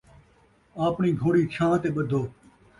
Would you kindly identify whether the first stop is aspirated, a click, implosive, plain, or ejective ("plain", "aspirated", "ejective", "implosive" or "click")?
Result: plain